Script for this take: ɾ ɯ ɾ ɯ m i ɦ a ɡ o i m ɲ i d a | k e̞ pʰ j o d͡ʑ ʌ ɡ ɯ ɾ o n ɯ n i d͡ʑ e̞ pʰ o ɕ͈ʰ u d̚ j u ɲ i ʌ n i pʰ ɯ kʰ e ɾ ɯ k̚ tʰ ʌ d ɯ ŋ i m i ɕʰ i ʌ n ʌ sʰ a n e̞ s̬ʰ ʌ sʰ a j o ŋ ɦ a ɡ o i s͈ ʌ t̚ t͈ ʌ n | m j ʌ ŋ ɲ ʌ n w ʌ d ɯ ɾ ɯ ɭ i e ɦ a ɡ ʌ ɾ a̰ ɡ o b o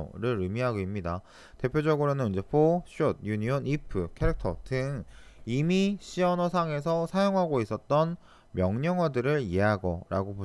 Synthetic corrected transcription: ɾ ɯ ɾ ɯ m i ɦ a ɡ o i m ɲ i d a | t e̞ pʰ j o d͡ʑ ʌ ɡ ɯ ɾ o n ɯ n i d͡ʑ e̞ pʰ o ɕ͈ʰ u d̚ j u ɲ i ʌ n i pʰ ɯ kʰ e ɾ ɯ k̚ tʰ ʌ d ɯ ŋ i m i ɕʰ i ʌ n ʌ sʰ a ŋ e̞ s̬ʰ ʌ sʰ a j o ŋ ɦ a ɡ o i s͈ ʌ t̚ t͈ ʌ n | m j ʌ ŋ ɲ ʌ ŋ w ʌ d ɯ ɾ ɯ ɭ i e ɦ a ɡ ʌ ɾ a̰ ɡ o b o